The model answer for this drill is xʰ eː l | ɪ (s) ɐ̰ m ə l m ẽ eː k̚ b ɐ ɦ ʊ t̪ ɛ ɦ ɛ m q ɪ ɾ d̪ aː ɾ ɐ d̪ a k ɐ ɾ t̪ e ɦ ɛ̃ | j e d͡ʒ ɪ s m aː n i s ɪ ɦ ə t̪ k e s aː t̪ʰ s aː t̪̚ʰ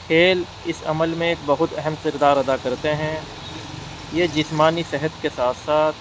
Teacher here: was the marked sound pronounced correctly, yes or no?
yes